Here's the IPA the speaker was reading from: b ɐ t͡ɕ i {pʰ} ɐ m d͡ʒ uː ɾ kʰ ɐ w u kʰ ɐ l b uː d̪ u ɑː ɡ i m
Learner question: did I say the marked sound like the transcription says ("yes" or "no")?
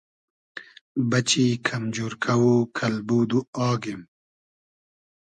no